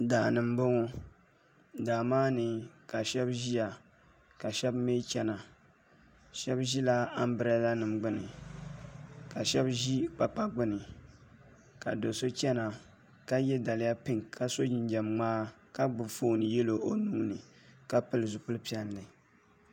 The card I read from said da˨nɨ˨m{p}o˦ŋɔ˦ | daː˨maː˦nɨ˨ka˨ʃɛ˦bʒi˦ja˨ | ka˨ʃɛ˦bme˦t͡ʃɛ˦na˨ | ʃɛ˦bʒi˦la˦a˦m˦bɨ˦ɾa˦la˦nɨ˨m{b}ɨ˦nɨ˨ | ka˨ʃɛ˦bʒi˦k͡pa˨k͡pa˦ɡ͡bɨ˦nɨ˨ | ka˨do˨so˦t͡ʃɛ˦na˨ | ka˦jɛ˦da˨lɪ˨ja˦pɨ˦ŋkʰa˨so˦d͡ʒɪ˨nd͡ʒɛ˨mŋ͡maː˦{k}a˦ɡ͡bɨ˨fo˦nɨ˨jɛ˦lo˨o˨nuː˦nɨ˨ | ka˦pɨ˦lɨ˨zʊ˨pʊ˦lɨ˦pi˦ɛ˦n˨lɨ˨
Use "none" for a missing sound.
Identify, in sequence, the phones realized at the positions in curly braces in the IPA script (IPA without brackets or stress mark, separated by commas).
b, ɡ͡b, k